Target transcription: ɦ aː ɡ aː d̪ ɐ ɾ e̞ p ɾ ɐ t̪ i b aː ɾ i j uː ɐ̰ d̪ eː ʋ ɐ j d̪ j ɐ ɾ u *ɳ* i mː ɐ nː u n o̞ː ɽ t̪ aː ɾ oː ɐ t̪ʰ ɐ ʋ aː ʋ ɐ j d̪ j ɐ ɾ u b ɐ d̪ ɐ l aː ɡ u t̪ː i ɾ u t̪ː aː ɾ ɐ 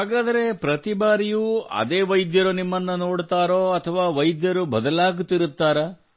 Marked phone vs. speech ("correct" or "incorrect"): incorrect